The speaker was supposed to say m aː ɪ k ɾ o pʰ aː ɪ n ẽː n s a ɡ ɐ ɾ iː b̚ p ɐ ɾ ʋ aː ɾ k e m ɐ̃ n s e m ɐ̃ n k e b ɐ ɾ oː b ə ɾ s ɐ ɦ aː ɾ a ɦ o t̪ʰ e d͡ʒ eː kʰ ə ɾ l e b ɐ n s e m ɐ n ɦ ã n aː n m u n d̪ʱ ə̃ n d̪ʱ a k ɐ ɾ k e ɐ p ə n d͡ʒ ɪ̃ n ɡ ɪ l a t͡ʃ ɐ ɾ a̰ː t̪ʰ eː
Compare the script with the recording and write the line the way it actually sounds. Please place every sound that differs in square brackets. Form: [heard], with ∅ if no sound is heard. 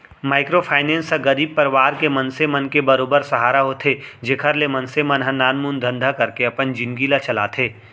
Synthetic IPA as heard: m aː ɪ k ɾ o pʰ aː ɪ n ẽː n s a ɡ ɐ ɾ iː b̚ p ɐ ɾ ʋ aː ɾ k e m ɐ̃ n s e m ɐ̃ n k e b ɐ ɾ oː b ə ɾ s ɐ ɦ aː ɾ a ɦ o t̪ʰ e d͡ʒ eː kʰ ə ɾ l e [m] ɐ n s e m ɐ n ɦ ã n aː n m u n d̪ʱ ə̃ n d̪ʱ a k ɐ ɾ k e ɐ p ə n d͡ʒ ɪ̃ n ɡ [i] l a t͡ʃ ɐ [l] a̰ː t̪ʰ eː